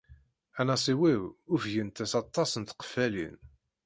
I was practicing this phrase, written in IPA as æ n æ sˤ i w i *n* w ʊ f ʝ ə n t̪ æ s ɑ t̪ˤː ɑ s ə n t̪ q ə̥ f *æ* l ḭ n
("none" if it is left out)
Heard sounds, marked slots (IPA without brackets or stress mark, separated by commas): none, æ